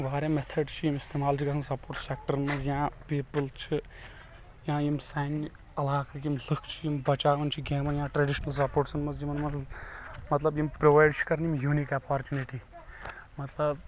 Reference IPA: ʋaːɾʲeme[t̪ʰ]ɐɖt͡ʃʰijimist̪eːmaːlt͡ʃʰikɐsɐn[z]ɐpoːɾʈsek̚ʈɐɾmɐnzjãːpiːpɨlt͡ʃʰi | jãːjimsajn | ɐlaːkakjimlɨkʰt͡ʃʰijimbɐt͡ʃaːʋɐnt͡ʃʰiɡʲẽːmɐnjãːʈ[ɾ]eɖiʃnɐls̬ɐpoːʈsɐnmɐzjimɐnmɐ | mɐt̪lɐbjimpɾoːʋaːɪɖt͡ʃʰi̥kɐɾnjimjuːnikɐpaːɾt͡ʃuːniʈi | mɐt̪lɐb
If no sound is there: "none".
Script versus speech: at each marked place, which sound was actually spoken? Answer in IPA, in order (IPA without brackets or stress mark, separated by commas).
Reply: t̪ʰ, s, ɾ